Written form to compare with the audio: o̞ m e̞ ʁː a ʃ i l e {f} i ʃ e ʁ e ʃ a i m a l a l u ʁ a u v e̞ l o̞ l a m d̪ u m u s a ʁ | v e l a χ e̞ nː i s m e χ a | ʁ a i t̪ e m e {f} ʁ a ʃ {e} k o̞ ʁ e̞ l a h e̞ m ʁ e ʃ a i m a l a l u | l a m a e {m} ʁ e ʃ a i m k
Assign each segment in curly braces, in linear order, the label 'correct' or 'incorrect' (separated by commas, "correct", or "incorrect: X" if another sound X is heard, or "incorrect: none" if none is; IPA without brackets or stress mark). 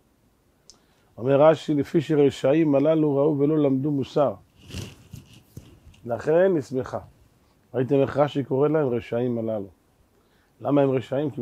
correct, incorrect: χ, incorrect: i, correct